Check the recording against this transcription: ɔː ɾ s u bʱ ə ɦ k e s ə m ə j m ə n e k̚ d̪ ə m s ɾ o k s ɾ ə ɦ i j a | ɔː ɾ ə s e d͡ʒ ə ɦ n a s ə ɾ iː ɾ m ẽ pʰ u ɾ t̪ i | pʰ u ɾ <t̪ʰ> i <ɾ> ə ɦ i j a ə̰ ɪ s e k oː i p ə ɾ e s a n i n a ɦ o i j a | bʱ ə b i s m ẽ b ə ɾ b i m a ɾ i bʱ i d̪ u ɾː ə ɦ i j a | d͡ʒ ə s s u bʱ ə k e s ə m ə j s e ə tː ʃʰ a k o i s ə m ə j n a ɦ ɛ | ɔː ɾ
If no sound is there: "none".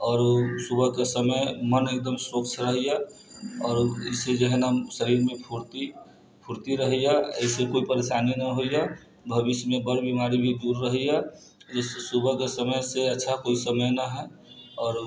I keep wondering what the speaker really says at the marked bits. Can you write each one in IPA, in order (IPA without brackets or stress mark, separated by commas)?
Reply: t̪, ɾ